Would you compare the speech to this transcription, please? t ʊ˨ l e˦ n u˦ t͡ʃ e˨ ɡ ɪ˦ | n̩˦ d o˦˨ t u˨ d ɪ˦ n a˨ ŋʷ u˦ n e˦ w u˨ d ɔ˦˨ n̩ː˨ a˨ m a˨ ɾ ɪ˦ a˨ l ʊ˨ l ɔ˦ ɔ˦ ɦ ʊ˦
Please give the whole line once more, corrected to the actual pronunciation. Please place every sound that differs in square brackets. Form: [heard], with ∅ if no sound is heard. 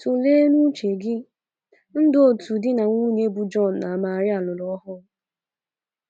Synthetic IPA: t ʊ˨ l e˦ n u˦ t͡ʃ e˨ ɡ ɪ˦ | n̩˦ d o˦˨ t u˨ d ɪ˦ n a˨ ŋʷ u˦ [ɲ] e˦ [b] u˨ [d͡ʒ] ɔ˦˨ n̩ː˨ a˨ m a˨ ɾ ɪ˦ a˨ l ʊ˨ l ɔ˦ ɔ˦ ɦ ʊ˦